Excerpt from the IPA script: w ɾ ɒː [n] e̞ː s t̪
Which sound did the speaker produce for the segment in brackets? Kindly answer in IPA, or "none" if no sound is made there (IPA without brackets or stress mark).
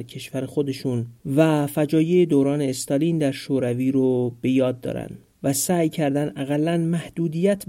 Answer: n